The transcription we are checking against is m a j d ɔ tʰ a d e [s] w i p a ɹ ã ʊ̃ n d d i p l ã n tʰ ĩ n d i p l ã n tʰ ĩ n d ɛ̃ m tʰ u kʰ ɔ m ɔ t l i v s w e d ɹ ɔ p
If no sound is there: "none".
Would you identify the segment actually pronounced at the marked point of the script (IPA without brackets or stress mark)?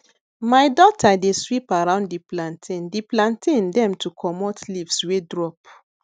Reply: s